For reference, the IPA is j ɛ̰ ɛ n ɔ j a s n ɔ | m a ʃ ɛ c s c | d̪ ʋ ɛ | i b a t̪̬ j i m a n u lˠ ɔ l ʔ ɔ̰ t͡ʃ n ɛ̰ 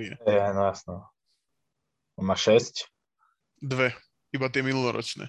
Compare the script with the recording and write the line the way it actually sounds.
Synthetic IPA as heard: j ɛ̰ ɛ n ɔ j a s n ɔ | m a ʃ ɛ s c | d̪ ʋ ɛ | i b a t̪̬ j ɛ m i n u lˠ ɔ ɾ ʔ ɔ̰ t͡ʃ n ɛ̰